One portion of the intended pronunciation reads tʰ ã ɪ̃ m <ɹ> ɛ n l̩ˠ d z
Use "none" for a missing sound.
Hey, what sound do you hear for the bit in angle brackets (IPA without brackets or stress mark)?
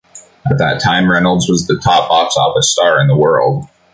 ɹ